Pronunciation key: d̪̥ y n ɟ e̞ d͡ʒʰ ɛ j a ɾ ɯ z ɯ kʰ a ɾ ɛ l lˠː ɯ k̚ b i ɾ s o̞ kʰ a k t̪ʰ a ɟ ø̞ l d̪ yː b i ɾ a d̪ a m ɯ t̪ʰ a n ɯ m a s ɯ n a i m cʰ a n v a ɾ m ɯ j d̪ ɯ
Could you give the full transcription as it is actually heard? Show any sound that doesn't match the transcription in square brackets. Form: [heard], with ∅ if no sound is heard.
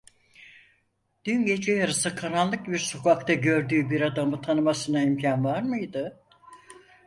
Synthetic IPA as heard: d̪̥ y n ɟ e̞ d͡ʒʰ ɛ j a ɾ ɯ [s] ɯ kʰ a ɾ [a] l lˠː ɯ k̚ b i ɾ s o̞ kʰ a k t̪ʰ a ɟ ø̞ [ɾ] d̪ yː b i ɾ a d̪ a m ɯ t̪ʰ a n ɯ m a s ɯ n a i m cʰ a n v a ɾ m ɯ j d̪ ɯ